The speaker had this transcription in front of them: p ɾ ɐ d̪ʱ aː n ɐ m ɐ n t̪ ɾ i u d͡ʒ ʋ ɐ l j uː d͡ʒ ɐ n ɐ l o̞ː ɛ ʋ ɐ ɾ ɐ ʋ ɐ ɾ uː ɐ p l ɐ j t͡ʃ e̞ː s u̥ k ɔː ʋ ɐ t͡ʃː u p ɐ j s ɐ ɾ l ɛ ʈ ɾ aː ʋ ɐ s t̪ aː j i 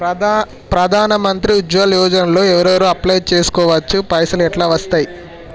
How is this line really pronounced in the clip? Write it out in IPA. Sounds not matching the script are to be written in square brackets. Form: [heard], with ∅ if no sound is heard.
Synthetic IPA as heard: p ɾ ɐ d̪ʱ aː n ɐ m ɐ n t̪ ɾ i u d͡ʒ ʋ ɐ l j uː d͡ʒ ɐ n ɐ l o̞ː ɛ ʋ ɐ ɾ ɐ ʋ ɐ ɾ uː ɐ p l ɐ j t͡ʃ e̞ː s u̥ k ɔː ʋ ɐ t͡ʃː u p ɐ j s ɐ [∅] l ɛ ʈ [l] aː ʋ ɐ s t̪ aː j i

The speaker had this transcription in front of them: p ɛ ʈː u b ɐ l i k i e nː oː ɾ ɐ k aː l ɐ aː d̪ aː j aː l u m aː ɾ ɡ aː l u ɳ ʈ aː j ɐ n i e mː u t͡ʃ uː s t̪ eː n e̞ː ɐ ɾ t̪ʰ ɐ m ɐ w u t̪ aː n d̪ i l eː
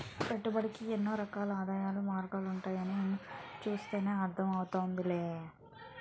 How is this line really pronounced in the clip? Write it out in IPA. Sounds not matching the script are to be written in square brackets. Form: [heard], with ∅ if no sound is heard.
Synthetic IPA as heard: p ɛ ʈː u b ɐ [ɽ] i k i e nː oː ɾ ɐ k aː l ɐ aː d̪ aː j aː l u m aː ɾ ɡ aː l u ɳ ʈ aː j ɐ n i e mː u t͡ʃ uː s t̪ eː n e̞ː ɐ ɾ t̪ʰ ɐ m ɐ w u t̪ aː n d̪ i l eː

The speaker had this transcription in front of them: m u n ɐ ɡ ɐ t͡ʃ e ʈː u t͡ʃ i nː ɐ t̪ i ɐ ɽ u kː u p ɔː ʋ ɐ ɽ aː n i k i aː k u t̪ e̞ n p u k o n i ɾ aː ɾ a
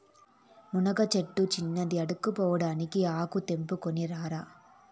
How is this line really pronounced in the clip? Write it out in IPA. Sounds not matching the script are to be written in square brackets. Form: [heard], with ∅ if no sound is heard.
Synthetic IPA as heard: m u n ɐ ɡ ɐ t͡ʃ e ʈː u t͡ʃ i nː ɐ [d̪] i ɐ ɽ u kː u p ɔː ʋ ɐ ɽ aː n i k i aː k u t̪ e̞ [m] p u k o n i ɾ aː ɾ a

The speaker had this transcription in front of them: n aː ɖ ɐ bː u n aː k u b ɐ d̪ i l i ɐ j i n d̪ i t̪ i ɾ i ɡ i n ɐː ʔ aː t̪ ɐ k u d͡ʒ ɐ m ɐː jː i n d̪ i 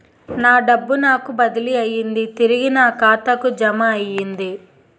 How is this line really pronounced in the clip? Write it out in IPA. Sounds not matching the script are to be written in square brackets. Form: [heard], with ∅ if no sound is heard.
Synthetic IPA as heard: n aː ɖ ɐ bː u n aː k u b ɐ d̪ i l i ɐ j i n d̪ i t̪ i ɾ i ɡ i n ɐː [k] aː t̪ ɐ k u d͡ʒ ɐ m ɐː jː i n d̪ i

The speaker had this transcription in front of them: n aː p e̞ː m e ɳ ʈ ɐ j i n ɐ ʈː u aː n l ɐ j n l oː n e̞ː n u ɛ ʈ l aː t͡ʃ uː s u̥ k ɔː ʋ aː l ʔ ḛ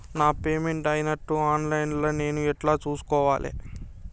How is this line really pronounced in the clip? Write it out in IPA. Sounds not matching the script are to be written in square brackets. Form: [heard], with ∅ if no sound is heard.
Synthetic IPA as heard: n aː p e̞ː m e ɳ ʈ ɐ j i n ɐ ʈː u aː n l ɐ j n l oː n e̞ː n u ɛ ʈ l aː t͡ʃ uː s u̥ k ɔː ʋ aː l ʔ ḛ

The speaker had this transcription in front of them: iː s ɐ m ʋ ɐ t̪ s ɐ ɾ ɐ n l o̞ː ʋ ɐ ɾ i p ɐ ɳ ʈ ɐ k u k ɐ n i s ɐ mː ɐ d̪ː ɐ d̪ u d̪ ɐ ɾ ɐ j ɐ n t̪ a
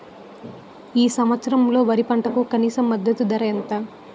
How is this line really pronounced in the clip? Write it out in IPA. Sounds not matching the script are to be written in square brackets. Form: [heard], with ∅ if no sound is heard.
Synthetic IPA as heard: iː s ɐ m ʋ ɐ t̪ s ɐ ɾ ɐ [m] l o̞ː ʋ ɐ ɾ i p ɐ ɳ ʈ ɐ k u k ɐ n [iː] s ɐ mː ɐ d̪ː ɐ [t̪] u d̪ ɐ ɾ ɐ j ɐ n t̪ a

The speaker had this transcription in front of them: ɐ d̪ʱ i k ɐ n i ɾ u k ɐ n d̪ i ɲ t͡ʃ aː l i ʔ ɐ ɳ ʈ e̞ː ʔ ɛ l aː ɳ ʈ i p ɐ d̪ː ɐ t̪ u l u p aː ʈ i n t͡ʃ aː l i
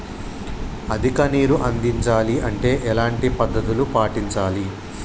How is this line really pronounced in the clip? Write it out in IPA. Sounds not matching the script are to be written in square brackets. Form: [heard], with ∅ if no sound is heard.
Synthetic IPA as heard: ɐ d̪ʱ i k ɐ n [iː] ɾ u [ʔ] ɐ n d̪ i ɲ t͡ʃ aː l i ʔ ɐ ɳ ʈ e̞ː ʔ ɛ l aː ɳ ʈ i p ɐ d̪ː ɐ t̪ u l u p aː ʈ i [ɲ] t͡ʃ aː l i

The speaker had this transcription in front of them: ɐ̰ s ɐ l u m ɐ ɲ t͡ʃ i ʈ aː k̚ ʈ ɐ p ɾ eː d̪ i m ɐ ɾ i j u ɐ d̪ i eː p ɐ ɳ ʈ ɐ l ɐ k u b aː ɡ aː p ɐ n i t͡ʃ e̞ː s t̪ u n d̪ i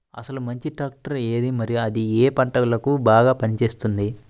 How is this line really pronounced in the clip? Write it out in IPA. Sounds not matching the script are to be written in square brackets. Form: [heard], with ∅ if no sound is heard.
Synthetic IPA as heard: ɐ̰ s ɐ l u m ɐ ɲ t͡ʃ i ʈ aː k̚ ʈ ɐ [∅] ɾ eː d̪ i m ɐ ɾ i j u ɐ d̪ i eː p ɐ ɳ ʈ ɐ l ɐ k u b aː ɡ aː p ɐ n i t͡ʃ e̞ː s t̪ u n d̪ i

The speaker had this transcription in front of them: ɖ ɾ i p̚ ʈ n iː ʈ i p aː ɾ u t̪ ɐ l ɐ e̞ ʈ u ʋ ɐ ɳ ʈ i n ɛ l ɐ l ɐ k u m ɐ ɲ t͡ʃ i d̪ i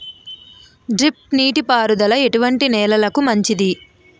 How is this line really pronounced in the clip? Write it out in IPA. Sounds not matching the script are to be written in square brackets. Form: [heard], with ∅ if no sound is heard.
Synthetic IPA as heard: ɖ ɾ i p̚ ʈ n iː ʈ i p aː ɾ u [d̪] ɐ l ɐ e̞ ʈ u ʋ ɐ ɳ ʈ i n [ɛː] l ɐ l ɐ k u m ɐ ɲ t͡ʃ i d̪ i

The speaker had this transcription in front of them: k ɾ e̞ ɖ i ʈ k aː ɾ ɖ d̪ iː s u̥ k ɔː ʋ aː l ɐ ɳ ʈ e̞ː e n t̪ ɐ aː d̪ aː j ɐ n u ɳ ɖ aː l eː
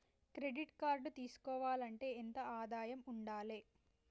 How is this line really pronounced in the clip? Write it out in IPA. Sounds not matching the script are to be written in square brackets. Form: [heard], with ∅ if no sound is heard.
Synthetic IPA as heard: k ɾ e̞ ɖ i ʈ k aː ɾ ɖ [t̪] iː s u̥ k ɔː ʋ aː l ɐ ɳ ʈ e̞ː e n t̪ ɐ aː d̪ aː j ɐ [m] u ɳ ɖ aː l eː

